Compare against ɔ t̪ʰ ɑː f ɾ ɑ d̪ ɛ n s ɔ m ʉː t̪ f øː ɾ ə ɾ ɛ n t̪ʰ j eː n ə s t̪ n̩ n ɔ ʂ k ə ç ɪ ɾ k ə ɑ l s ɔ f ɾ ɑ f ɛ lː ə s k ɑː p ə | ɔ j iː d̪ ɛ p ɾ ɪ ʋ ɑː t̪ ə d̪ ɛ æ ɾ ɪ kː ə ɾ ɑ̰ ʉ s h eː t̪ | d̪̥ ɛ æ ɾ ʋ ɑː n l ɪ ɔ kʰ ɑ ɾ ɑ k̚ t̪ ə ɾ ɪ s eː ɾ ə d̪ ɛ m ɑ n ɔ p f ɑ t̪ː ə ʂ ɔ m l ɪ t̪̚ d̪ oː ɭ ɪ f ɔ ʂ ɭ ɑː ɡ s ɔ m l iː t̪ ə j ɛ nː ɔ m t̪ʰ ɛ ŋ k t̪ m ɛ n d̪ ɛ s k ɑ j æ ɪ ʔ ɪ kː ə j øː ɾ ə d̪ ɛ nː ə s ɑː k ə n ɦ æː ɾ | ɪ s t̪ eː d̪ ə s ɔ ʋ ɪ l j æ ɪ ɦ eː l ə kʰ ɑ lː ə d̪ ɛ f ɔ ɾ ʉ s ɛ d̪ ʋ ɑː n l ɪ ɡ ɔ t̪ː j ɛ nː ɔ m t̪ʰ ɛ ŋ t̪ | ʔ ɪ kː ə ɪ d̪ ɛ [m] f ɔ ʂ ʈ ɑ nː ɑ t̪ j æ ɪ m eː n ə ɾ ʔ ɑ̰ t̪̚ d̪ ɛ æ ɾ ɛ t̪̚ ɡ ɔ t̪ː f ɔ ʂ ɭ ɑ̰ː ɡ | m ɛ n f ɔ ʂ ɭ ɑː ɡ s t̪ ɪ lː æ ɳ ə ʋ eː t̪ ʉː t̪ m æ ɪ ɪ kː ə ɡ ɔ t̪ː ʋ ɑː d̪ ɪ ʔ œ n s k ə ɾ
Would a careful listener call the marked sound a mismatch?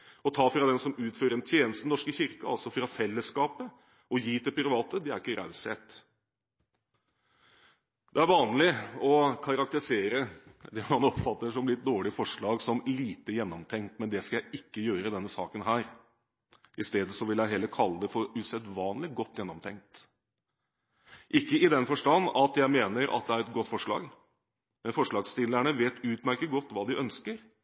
yes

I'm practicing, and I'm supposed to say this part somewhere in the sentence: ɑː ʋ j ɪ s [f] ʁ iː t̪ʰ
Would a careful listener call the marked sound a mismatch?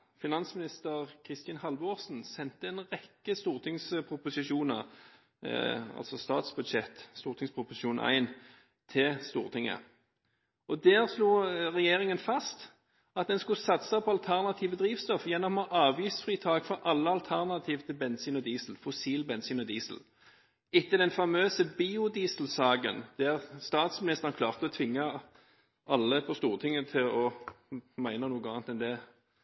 no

